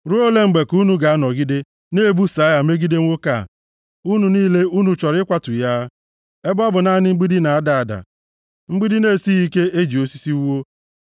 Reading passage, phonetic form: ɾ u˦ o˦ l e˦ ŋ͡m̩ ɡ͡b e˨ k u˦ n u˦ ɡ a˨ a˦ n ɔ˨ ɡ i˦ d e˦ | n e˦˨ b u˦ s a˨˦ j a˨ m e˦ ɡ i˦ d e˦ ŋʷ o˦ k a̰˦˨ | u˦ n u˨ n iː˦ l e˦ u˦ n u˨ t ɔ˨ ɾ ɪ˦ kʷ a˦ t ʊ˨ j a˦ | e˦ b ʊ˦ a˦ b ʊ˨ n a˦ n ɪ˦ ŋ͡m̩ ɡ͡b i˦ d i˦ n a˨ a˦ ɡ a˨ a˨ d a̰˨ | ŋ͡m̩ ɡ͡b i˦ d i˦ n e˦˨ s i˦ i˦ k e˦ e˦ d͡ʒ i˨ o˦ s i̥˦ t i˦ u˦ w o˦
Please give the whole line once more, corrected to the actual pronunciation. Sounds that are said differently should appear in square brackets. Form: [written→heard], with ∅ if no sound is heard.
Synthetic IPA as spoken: ɾ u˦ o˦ l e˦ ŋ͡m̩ ɡ͡b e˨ k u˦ n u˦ ɡ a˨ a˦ n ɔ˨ ɡ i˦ d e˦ | n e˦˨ b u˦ s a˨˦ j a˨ m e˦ ɡ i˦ d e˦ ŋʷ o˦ k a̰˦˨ | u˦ n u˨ n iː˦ l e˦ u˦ n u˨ [t→t͡ʃ] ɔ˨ ɾ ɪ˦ kʷ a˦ t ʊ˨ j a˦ | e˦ b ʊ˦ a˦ b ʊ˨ n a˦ n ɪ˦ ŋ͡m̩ ɡ͡b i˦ d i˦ n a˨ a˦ [ɡ→d] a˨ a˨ d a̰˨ | ŋ͡m̩ ɡ͡b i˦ d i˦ n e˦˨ s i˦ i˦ k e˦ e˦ d͡ʒ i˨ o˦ s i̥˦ [t→s] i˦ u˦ w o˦

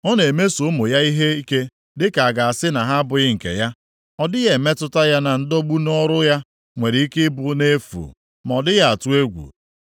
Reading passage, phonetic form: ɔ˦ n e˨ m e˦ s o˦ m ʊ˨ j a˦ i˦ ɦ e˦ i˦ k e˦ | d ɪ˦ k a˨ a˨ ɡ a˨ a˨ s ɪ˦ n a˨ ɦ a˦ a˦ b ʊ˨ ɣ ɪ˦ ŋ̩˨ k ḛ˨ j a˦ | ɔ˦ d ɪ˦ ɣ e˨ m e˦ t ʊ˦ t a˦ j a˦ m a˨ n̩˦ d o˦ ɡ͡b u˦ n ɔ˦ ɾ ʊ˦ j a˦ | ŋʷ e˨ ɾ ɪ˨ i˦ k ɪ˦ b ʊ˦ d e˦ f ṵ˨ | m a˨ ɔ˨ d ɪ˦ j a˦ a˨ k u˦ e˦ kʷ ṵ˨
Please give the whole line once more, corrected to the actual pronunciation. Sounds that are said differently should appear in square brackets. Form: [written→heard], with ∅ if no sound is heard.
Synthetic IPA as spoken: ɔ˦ n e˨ m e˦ s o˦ m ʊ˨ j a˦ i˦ ɦ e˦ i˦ k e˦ | d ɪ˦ k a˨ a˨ ɡ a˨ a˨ s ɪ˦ n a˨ ɦ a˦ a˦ b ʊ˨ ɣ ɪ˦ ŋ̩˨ k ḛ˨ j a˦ | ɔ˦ d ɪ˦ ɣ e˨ m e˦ t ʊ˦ t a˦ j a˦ [m→n] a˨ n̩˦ d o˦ ɡ͡b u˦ n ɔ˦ ɾ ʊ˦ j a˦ | ŋʷ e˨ ɾ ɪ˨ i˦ k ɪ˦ b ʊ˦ [d→n] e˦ f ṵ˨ | m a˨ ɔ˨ d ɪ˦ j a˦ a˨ [k→t] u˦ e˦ [kʷ→ɡʷ] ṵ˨

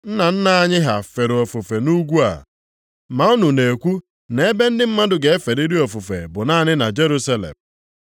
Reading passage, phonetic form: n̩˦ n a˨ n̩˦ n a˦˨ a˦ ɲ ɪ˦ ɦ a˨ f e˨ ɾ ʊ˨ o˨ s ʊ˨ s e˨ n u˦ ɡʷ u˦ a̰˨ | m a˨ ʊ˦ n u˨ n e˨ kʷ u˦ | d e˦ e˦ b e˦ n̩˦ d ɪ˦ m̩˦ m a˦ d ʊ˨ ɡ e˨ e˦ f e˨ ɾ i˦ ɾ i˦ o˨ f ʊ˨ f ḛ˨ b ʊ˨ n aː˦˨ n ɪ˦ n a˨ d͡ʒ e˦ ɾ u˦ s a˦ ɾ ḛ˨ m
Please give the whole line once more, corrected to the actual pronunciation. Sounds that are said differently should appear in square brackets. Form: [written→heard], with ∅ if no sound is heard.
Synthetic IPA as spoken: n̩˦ n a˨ n̩˦ n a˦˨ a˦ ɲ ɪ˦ ɦ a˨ f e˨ ɾ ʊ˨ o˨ [s→f] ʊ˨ [s→f] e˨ n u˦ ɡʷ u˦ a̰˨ | m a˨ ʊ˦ n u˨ n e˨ kʷ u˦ | [d→n] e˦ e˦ b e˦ n̩˦ d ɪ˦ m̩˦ m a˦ d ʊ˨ ɡ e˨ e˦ f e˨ ɾ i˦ ɾ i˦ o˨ f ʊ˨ f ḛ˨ b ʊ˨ n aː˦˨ n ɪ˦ n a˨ d͡ʒ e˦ ɾ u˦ s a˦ [ɾ→l] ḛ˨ m

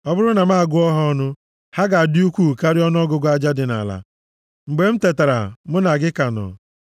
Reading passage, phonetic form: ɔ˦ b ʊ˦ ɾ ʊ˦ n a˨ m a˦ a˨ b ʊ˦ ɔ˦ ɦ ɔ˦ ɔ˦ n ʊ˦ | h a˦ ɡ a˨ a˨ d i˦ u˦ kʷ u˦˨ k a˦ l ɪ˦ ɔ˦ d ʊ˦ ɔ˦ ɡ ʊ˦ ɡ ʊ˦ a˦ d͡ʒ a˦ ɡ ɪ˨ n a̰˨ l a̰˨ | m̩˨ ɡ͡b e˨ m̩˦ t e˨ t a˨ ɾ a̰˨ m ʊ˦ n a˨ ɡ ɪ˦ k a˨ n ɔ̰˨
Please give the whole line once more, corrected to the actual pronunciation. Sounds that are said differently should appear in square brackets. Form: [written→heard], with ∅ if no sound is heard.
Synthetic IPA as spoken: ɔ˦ b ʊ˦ ɾ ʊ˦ n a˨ m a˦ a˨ [b→ɡ] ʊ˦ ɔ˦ ɦ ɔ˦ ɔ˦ n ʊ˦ | h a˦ ɡ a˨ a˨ d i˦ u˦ kʷ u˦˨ k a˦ [l→ɾ] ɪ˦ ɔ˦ [d→n] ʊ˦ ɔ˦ ɡ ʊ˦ ɡ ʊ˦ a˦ d͡ʒ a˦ [ɡ→d] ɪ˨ n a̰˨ l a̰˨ | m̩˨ ɡ͡b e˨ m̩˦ t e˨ t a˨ ɾ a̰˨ m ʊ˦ n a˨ ɡ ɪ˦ k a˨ n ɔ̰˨

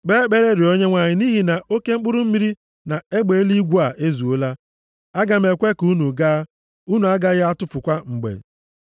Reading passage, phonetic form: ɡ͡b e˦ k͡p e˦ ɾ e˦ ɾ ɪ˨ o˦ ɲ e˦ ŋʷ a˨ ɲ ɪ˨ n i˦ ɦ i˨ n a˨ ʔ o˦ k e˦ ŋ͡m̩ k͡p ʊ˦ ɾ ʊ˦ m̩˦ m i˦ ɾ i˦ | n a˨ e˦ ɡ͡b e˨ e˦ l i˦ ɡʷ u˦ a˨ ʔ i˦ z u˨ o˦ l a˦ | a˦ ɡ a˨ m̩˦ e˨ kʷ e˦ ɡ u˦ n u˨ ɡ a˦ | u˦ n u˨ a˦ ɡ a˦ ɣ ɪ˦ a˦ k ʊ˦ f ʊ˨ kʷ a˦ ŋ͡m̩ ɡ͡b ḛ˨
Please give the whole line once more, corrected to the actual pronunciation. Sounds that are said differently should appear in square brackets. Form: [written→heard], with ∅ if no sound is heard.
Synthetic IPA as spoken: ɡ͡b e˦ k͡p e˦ ɾ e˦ ɾ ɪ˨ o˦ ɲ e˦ ŋʷ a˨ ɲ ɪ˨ n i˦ ɦ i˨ n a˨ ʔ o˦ k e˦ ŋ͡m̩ k͡p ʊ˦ ɾ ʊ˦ m̩˦ m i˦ ɾ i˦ | n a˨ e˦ ɡ͡b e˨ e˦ l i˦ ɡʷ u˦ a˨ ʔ [i˦→e˦] z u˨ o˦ l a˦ | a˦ ɡ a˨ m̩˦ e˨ kʷ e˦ [ɡ→k] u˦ n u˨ ɡ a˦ | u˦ n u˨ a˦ ɡ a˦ ɣ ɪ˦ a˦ [k→t] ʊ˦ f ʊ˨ kʷ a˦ ŋ͡m̩ ɡ͡b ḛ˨

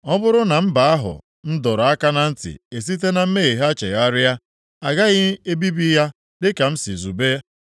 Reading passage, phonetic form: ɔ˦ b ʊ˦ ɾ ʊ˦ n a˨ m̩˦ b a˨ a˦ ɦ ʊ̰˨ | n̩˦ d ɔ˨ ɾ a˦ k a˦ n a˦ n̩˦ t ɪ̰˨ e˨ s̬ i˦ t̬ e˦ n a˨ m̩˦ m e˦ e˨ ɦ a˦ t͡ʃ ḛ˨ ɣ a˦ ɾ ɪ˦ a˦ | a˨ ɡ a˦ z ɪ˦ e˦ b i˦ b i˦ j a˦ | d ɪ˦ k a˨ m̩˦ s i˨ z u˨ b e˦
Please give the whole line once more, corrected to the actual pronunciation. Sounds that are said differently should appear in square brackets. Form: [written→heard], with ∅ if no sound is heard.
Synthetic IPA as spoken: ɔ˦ b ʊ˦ ɾ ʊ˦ n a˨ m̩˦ b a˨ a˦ ɦ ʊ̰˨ | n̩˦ d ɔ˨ ɾ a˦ k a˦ n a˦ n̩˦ t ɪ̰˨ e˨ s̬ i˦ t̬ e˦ n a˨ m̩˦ m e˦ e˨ ɦ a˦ t͡ʃ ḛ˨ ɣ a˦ ɾ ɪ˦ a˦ | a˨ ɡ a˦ [z→ɣ] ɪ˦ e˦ b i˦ b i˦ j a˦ | d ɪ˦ k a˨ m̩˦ s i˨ z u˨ b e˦

